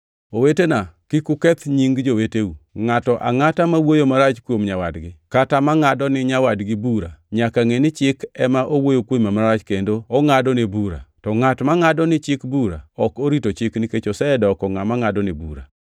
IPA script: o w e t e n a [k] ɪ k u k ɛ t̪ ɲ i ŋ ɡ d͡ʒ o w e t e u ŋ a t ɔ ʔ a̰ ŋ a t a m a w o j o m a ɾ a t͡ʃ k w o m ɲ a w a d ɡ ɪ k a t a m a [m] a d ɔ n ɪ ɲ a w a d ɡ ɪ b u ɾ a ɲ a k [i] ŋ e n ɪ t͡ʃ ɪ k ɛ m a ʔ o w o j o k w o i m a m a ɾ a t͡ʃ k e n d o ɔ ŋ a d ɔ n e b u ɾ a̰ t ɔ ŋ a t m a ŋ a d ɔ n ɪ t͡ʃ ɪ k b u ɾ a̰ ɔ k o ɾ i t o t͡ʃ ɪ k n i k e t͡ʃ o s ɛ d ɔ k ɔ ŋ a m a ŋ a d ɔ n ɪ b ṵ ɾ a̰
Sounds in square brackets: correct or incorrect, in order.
correct, incorrect: ŋ, incorrect: a

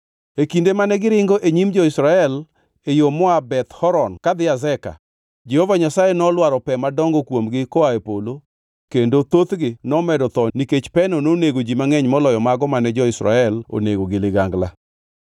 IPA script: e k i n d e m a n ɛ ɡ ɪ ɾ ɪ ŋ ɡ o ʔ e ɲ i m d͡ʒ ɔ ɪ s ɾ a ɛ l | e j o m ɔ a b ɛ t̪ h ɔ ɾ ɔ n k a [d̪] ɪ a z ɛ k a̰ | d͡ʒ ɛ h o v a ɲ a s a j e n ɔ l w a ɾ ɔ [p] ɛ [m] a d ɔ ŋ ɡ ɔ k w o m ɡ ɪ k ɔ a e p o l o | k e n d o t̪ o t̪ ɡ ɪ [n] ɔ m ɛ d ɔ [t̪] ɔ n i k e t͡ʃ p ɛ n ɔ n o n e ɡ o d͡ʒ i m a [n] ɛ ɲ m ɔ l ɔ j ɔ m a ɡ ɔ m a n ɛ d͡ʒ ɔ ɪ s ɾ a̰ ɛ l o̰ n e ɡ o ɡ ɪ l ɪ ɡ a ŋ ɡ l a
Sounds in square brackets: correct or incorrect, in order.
correct, correct, correct, correct, correct, incorrect: ŋ

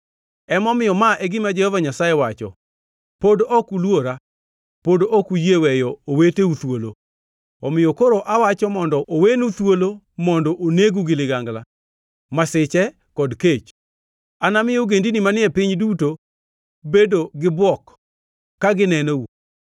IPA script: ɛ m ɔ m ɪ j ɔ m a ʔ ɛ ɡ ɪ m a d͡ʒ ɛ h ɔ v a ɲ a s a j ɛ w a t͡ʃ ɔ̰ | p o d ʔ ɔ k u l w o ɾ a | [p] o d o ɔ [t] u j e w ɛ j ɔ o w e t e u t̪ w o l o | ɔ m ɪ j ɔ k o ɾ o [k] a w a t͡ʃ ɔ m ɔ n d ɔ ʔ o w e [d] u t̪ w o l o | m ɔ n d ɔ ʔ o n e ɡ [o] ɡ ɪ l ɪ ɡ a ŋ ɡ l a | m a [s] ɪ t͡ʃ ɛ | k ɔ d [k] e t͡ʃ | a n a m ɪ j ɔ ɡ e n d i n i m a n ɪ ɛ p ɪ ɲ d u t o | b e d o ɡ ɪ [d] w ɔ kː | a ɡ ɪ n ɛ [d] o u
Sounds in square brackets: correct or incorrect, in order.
correct, incorrect: k, incorrect: ʔ, incorrect: n, incorrect: u, correct, correct, incorrect: b, incorrect: n

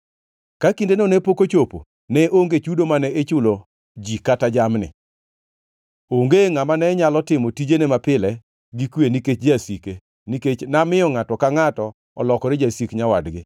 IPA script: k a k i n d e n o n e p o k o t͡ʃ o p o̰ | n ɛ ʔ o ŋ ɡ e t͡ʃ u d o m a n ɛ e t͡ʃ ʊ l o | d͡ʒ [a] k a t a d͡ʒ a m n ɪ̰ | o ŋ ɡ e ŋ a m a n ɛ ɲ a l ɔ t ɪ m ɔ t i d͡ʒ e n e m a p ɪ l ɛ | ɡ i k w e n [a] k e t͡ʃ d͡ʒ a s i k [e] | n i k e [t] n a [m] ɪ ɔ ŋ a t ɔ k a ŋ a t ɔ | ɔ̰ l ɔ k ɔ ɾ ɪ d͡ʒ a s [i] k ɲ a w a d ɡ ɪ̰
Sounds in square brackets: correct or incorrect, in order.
incorrect: i, incorrect: i, correct, incorrect: t͡ʃ, correct, correct

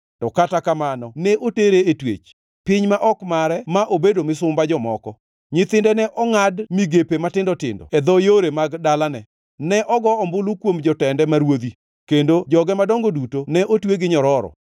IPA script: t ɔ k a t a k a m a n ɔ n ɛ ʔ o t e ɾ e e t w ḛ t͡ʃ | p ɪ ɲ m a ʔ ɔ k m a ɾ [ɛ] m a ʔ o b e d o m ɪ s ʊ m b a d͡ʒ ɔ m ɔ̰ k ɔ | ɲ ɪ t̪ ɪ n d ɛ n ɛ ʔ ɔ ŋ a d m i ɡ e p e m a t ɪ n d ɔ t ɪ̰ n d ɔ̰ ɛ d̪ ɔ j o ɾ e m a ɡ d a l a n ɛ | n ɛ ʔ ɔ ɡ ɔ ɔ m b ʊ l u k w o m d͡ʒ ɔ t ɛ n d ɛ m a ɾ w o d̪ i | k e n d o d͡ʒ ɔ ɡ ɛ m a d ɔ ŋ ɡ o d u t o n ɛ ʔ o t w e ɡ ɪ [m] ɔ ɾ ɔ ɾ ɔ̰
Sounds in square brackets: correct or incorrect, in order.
correct, incorrect: ɲ

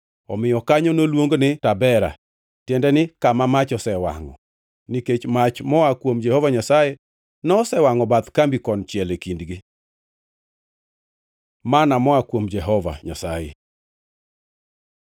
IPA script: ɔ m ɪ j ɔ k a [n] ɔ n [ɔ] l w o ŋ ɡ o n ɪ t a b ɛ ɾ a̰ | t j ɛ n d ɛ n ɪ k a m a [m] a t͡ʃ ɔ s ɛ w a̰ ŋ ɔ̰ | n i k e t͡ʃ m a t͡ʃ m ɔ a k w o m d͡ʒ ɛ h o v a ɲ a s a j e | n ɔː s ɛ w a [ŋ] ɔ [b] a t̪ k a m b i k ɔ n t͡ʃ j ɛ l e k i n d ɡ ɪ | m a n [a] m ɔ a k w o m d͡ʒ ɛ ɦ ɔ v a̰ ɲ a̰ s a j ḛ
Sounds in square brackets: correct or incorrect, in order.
incorrect: ɲ, incorrect: o, correct, correct, correct, correct

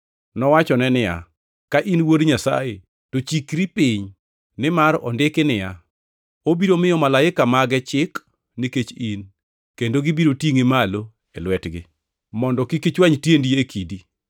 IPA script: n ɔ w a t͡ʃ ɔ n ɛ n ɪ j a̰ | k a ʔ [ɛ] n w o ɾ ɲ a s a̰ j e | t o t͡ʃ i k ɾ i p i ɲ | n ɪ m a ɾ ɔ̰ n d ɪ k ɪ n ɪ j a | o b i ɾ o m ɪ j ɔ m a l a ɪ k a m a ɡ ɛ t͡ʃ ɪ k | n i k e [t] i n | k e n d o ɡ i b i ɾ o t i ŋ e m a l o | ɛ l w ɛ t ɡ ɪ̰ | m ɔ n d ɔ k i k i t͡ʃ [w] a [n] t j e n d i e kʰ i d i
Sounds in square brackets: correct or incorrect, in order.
incorrect: i, incorrect: t͡ʃ, correct, incorrect: ɲ

